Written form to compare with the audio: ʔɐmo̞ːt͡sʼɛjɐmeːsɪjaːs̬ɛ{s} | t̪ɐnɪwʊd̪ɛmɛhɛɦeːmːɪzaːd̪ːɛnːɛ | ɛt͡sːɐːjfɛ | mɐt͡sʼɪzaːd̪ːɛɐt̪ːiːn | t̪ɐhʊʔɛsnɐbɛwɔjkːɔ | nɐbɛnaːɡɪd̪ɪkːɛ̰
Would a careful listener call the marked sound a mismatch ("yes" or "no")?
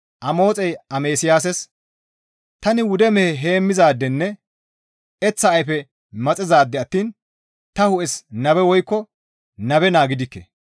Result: no